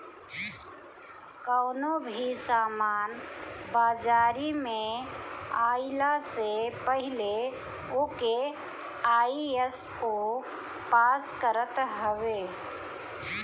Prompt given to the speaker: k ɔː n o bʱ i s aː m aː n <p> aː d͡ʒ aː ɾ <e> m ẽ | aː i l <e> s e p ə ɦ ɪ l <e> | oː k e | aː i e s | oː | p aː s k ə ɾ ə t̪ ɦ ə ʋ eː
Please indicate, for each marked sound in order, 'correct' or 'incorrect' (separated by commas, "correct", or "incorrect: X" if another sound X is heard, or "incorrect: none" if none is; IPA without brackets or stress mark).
incorrect: b, incorrect: i, incorrect: a, correct